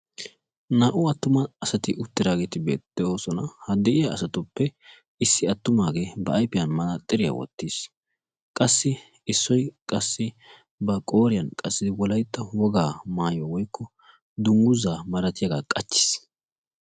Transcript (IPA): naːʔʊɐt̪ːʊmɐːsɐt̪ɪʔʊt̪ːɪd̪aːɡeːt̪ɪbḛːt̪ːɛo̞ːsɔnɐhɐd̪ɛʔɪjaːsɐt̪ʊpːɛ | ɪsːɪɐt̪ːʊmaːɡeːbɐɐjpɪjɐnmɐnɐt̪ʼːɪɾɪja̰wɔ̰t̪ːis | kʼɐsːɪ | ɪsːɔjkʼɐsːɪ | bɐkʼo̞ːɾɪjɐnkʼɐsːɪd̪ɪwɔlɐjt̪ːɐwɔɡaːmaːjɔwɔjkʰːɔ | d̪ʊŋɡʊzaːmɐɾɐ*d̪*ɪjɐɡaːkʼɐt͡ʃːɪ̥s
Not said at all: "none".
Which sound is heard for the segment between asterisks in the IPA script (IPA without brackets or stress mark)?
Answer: t̪